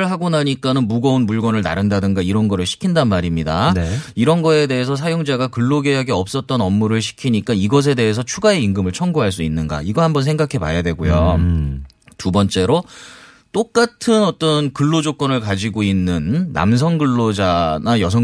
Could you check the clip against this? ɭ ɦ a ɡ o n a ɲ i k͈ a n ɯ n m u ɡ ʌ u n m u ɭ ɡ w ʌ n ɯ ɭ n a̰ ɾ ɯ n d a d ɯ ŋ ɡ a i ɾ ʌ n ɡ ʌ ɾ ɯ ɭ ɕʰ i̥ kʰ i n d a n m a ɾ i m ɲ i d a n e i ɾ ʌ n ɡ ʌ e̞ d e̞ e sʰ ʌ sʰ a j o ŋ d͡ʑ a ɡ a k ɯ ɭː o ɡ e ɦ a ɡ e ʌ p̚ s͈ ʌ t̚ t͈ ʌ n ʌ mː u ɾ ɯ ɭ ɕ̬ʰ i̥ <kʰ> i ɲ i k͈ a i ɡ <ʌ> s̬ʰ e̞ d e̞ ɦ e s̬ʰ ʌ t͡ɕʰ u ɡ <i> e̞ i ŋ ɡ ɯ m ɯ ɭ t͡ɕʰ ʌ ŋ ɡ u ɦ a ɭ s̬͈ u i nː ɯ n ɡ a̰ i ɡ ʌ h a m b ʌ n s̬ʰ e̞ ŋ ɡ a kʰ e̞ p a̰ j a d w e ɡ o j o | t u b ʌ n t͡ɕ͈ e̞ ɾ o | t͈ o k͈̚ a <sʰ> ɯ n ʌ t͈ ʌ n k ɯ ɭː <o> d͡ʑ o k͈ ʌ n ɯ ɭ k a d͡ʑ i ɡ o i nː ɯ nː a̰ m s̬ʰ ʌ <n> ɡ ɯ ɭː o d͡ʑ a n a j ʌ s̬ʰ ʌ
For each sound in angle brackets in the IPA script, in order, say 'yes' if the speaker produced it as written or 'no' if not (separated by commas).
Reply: yes, yes, no, no, yes, no